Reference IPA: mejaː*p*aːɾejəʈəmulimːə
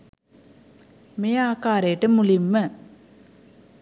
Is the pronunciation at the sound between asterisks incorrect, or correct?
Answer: incorrect: k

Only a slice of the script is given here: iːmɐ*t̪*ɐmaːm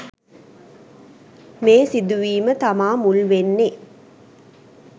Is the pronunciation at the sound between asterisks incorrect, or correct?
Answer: correct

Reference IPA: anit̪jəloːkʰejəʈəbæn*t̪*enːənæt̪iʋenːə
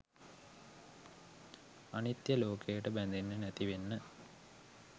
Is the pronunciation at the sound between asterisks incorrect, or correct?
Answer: incorrect: d̪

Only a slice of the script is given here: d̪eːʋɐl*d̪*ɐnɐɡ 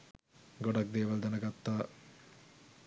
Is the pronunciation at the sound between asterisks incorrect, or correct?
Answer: correct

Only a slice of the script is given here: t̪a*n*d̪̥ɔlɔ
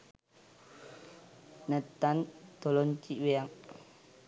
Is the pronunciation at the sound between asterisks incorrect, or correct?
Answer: correct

